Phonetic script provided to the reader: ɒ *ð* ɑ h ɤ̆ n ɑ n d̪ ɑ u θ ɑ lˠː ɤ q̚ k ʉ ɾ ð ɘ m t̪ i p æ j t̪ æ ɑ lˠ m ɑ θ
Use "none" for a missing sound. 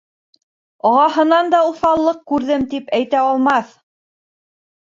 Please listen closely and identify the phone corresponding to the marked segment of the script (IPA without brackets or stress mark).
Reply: ʁ